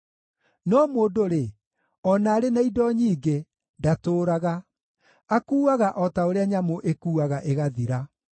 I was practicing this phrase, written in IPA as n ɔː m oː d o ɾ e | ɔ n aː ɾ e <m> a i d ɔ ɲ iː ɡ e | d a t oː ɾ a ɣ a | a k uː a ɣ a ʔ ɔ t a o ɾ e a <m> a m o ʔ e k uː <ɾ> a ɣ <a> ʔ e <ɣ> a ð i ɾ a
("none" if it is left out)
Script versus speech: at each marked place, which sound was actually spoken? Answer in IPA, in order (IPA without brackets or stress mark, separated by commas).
n, ɲ, none, a, ɣ